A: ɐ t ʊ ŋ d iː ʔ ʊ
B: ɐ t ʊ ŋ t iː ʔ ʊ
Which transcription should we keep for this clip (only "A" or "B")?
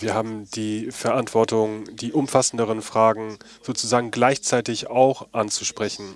A